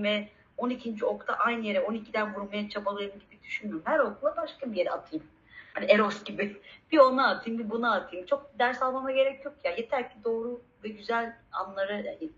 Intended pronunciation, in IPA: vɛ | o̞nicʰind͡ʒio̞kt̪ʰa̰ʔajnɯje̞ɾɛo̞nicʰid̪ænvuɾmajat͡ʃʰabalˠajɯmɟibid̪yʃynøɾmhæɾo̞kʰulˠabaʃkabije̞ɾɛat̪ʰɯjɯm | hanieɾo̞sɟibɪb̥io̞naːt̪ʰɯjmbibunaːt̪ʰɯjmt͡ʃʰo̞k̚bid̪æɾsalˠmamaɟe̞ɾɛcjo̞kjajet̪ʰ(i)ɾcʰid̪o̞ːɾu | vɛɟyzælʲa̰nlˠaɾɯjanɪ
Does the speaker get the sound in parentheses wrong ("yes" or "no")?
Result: yes